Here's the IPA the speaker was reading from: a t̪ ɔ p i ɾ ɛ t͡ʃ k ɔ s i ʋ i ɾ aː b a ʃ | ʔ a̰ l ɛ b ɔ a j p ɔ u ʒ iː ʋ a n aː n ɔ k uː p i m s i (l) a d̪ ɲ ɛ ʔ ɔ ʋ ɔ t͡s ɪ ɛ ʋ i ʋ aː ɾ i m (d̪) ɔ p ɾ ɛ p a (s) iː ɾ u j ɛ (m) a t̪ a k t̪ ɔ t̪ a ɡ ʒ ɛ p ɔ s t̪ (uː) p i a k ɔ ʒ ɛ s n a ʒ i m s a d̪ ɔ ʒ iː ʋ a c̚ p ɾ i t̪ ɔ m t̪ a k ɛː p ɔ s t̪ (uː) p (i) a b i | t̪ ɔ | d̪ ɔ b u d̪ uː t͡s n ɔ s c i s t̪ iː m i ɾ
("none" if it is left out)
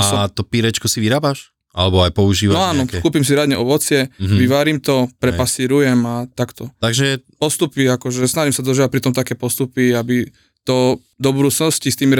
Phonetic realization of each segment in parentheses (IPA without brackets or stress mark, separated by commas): ɾ, t̪, s, m, u, u, i